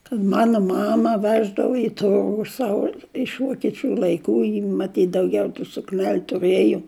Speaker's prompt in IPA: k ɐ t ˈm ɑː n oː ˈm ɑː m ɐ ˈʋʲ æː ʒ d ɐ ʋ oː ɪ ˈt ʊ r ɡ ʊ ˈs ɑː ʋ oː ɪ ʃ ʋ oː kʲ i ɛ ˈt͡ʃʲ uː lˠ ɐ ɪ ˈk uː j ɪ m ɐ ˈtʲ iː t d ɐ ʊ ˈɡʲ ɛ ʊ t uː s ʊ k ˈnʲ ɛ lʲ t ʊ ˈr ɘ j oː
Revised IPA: k ɐ t ˈm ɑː n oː ˈm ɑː m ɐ ˈʋʲ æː ʒ d ɐ ʋ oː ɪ ˈt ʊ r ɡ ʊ ˈs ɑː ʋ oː ɪ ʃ ʋ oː kʲ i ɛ ˈt͡ʃʲ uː lˠ ɐ ɪ ˈk uː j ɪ m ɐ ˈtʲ iː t d ɐ ʊ ˈɡʲ ɛ ʊ t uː s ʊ k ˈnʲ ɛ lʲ t ʊ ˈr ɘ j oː